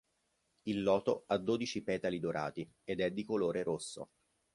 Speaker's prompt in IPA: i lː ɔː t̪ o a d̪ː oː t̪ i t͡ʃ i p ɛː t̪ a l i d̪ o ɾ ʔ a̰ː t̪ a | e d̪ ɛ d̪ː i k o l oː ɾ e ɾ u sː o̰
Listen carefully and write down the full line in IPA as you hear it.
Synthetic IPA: i lː ɔː t̪ o a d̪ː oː d̪ i t͡ʃ i p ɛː t̪ a l i d̪ o ɾ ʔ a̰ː t̪ i | e d̪ ɛ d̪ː i k o l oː ɾ e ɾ o sː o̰